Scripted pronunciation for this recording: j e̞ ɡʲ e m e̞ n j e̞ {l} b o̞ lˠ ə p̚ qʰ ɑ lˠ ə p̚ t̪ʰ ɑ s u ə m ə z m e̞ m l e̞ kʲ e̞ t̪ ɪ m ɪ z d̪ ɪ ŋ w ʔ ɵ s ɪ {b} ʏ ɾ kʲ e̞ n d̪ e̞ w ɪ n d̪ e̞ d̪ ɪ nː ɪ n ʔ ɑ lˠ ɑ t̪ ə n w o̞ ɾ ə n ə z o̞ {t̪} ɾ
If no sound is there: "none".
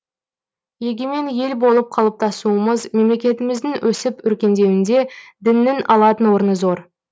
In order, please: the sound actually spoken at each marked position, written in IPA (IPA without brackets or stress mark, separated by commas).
l, p, none